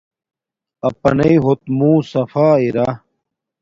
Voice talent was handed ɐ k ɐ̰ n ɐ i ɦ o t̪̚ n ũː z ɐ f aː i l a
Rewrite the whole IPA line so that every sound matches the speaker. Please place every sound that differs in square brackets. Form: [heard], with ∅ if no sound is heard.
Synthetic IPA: ɐ [p] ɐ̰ n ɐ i ɦ o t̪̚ [m] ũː [s] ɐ f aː i [ɾ] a